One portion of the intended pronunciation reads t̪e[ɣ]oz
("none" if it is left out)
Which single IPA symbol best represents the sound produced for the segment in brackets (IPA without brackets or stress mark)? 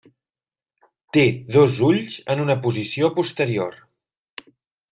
ð